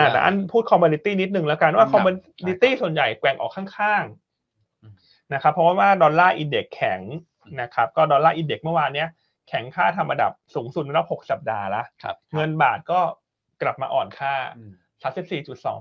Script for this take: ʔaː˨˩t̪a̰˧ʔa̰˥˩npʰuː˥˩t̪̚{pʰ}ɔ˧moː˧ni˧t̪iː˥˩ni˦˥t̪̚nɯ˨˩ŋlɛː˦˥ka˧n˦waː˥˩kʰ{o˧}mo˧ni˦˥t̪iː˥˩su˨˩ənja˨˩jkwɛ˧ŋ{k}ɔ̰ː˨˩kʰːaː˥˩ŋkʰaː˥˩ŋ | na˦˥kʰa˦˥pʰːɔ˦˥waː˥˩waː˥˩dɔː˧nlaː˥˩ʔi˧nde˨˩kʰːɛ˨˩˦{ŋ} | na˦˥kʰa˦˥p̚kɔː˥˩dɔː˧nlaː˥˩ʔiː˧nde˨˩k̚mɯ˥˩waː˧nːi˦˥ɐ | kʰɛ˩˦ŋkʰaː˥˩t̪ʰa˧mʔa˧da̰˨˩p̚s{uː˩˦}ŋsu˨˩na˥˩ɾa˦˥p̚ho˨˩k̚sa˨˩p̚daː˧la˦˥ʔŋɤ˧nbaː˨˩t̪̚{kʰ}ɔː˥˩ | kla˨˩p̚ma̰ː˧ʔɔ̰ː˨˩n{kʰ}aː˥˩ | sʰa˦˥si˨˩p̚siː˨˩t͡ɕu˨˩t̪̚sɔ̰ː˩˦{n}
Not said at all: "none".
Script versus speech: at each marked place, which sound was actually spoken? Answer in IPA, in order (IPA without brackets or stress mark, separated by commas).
kʰ, ɔ˧, ʔ, ŋ, uː˩˦, k, kʰ, ŋ